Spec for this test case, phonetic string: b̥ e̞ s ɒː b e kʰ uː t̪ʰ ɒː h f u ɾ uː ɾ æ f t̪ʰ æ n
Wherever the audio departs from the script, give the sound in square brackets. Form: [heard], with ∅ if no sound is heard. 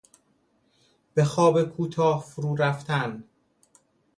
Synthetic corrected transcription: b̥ e̞ [x] ɒː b e kʰ uː t̪ʰ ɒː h f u ɾ uː ɾ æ f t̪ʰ æ n